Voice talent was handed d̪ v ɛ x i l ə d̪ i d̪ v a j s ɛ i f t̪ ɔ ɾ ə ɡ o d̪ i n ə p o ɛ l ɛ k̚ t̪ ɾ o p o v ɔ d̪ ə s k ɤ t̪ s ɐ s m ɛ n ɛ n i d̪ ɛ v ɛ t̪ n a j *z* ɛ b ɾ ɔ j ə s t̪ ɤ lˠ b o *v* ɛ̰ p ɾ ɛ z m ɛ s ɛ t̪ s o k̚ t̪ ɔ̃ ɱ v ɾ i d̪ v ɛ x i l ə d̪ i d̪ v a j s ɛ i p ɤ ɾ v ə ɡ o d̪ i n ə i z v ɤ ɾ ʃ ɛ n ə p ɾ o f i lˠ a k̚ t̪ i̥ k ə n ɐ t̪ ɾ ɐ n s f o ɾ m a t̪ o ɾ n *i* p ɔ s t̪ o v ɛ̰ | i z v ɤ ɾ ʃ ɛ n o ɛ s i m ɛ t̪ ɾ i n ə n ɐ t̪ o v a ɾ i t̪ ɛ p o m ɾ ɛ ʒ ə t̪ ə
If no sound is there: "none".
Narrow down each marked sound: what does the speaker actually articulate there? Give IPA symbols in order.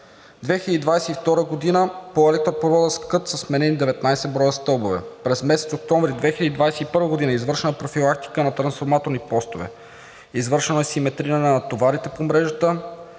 s, v, i

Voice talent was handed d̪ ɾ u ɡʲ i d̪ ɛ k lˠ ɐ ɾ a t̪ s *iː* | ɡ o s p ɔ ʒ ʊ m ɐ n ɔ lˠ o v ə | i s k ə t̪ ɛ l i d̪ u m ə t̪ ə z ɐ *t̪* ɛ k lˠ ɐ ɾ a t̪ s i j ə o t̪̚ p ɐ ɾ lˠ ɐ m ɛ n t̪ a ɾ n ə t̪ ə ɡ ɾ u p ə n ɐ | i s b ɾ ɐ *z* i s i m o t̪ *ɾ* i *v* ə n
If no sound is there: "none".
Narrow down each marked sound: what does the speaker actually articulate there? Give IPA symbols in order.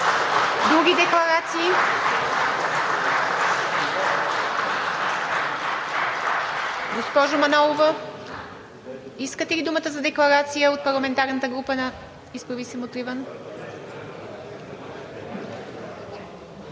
iː, d̪, v, ɾ, v

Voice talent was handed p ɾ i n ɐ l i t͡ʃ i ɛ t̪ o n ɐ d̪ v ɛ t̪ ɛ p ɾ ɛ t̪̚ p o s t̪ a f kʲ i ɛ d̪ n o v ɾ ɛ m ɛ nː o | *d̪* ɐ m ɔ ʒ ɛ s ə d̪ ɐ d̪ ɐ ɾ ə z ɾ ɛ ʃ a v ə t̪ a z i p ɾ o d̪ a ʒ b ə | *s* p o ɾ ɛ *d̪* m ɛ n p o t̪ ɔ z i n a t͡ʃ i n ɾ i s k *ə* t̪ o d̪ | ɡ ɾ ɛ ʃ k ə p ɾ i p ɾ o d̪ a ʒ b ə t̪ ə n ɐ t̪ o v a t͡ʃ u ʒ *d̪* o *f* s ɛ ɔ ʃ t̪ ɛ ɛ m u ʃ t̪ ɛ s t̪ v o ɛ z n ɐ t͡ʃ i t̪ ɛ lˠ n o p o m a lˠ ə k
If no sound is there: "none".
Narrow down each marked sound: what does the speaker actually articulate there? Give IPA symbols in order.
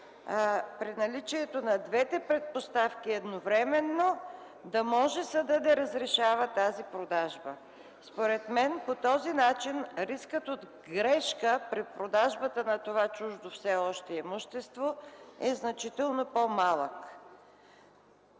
d̪, s, t̪, ə, d̪, f

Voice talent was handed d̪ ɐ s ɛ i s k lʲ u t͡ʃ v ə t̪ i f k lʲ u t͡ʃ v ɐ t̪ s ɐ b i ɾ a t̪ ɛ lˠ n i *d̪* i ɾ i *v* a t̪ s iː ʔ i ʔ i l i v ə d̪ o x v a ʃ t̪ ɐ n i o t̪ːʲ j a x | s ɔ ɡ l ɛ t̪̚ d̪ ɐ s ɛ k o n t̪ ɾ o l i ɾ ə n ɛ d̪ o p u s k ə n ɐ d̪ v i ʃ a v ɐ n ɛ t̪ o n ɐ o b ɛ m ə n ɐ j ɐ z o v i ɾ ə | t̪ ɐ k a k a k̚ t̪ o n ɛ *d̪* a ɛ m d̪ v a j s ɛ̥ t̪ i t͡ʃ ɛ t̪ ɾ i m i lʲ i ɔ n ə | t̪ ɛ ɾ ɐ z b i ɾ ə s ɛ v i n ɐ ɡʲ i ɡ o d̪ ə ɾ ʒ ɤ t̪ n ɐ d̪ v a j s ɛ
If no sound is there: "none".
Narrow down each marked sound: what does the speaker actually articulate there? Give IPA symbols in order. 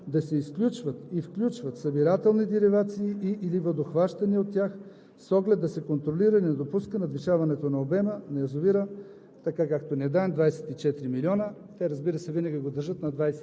d̪, v, d̪

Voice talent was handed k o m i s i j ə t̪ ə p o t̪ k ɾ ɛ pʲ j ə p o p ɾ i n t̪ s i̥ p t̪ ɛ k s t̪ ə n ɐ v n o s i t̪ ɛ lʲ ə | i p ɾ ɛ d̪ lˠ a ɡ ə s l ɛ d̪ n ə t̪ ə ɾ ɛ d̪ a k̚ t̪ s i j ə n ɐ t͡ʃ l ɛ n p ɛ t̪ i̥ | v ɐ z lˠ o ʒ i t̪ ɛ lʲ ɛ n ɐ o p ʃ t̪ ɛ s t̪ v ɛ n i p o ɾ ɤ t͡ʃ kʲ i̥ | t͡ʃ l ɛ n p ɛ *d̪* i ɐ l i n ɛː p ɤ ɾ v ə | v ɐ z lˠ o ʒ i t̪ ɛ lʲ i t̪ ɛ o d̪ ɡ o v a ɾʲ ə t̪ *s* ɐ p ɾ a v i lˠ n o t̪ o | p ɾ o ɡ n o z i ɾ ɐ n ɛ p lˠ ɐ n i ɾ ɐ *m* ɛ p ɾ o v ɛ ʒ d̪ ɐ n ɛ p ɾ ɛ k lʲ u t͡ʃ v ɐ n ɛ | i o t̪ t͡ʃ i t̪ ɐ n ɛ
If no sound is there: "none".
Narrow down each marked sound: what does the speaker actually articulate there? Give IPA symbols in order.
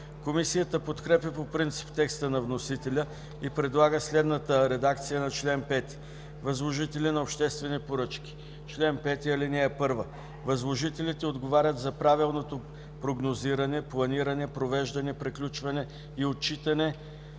t̪, z, n

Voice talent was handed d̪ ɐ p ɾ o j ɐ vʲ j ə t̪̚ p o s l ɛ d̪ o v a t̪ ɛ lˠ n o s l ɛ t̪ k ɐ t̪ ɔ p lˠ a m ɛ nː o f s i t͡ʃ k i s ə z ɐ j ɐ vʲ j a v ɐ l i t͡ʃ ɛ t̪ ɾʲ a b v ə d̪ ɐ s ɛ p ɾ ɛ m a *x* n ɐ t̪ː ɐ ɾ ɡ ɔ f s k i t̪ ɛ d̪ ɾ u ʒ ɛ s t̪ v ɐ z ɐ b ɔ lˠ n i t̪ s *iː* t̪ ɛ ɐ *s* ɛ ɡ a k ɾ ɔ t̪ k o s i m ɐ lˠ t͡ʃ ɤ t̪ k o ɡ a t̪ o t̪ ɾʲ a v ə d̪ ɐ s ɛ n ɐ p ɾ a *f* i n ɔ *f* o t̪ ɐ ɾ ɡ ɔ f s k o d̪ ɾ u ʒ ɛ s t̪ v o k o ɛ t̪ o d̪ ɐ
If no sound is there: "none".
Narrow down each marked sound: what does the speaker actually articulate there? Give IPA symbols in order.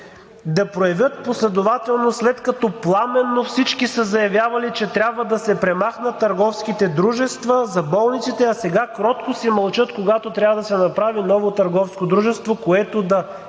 x, i, s, v, v

